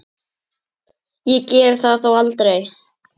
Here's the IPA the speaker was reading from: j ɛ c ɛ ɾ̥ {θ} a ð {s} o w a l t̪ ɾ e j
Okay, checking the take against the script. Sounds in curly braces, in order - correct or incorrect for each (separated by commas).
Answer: correct, incorrect